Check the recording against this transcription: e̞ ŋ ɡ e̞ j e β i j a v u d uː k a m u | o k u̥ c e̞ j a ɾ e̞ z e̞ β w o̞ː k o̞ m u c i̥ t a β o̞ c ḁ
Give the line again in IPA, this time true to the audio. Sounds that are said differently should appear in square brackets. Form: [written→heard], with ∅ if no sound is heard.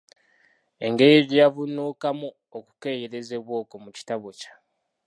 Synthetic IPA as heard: e̞ ŋ ɡ e̞ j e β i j a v u [d→n] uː k a m u | o k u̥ [c→k] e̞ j [a→e] ɾ e̞ z e̞ β w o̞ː k o̞ m u c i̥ t a β o̞ c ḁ